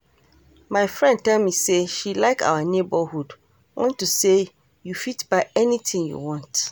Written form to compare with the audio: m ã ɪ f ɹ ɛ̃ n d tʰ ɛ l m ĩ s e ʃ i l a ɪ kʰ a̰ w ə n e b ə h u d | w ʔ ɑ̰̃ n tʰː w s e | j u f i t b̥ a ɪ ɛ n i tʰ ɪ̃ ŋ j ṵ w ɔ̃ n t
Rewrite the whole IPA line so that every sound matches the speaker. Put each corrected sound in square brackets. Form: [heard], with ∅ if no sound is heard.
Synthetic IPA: m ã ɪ f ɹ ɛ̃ n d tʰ ɛ l m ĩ s e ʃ i l a ɪ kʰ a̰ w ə n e b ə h u d | w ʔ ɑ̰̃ n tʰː [u] s e | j u f i t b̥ a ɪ ɛ n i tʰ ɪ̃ ŋ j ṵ w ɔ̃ n t